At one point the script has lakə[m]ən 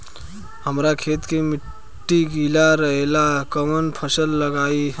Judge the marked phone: correct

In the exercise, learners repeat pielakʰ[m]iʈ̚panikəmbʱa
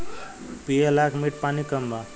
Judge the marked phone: correct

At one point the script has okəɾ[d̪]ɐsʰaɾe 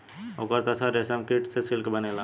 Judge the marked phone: incorrect: t̪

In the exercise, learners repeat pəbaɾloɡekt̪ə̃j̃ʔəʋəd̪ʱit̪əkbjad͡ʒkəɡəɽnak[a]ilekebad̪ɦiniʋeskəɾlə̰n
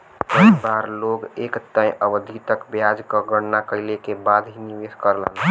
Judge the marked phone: incorrect: ə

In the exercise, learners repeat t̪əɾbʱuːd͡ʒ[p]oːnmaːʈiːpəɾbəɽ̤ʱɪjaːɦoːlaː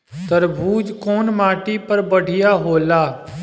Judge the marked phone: incorrect: k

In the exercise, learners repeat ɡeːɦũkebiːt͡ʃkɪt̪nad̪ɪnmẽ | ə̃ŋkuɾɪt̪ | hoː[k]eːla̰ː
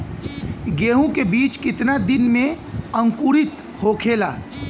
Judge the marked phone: incorrect: kʰ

